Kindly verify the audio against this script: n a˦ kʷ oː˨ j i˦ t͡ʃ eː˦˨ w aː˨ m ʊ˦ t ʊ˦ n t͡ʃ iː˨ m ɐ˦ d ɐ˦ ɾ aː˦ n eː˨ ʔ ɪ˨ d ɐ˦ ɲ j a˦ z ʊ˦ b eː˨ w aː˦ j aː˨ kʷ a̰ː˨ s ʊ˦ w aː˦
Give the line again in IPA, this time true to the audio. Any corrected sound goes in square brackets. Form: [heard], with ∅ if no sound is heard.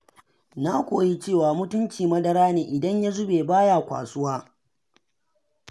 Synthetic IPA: n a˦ kʷ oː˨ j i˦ t͡ʃ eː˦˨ w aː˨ m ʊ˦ t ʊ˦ n t͡ʃ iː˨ m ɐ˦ d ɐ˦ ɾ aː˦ n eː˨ ʔ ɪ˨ d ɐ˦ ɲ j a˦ z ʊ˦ b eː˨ [b] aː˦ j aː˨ kʷ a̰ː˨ s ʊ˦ w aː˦